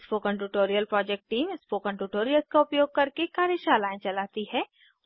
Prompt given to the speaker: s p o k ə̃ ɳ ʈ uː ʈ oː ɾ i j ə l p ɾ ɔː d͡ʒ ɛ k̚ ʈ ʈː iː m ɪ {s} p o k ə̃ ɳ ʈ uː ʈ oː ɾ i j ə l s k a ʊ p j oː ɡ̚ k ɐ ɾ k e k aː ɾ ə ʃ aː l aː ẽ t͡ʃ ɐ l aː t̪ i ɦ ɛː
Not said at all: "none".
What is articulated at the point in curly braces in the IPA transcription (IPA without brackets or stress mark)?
s